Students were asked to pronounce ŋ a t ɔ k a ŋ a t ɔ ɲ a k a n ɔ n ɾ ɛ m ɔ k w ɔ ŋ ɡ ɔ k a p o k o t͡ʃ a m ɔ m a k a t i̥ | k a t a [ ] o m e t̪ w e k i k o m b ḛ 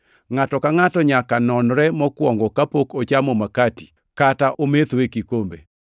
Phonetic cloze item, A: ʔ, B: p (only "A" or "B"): A